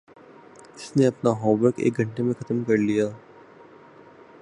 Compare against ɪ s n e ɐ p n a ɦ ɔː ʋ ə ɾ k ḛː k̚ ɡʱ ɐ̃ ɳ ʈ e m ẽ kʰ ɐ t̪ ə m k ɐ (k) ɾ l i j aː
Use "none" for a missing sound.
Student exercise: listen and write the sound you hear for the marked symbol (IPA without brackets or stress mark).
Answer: none